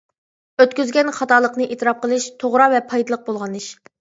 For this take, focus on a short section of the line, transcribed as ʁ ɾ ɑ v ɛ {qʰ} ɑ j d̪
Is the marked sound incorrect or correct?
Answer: incorrect: pʰ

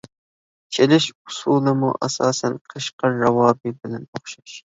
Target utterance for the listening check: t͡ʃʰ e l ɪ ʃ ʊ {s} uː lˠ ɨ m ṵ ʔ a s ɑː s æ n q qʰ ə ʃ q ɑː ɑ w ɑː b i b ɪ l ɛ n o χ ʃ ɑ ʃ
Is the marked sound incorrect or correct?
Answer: correct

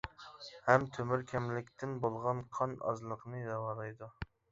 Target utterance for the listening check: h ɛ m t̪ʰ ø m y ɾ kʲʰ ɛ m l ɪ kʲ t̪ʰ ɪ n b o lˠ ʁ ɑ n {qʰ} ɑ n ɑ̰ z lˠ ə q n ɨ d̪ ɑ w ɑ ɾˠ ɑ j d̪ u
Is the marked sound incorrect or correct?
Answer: correct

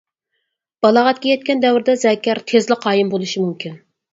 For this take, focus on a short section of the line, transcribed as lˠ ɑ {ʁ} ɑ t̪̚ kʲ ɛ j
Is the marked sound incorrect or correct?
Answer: correct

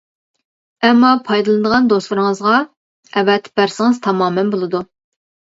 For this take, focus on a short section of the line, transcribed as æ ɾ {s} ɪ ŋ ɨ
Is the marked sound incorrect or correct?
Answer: correct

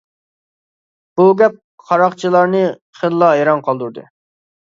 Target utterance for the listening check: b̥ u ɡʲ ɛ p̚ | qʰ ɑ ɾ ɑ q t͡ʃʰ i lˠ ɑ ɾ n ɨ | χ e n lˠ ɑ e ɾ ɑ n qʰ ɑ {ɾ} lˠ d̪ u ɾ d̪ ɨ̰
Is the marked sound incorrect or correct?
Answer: incorrect: none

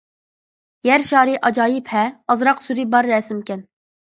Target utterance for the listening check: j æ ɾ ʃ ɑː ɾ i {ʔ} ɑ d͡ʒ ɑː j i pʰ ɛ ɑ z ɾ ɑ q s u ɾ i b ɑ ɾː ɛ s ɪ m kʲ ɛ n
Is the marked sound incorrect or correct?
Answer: correct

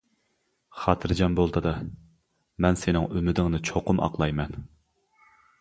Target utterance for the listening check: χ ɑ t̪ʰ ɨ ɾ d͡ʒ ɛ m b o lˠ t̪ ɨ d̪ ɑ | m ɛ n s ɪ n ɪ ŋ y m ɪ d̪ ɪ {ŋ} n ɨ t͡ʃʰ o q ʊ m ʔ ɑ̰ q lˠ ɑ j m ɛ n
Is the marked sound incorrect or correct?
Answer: correct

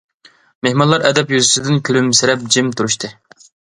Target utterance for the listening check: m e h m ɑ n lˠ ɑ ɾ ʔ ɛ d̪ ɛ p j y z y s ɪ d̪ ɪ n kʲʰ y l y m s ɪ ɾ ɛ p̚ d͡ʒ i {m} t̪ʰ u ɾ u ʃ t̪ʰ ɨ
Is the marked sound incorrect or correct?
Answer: correct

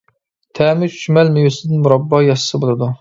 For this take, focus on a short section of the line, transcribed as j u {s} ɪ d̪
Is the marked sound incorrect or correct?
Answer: correct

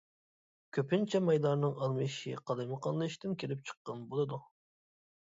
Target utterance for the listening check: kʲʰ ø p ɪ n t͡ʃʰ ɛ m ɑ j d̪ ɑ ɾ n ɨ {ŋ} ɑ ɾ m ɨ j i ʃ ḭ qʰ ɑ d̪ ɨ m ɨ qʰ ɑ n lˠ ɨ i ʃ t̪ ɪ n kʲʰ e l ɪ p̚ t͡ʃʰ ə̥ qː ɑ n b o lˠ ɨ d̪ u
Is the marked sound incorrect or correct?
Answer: correct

